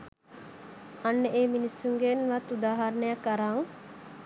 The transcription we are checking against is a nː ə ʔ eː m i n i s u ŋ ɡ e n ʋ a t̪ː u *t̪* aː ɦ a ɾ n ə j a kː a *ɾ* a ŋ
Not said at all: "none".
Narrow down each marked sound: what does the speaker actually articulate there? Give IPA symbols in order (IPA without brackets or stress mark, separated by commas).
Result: d̪, ɾ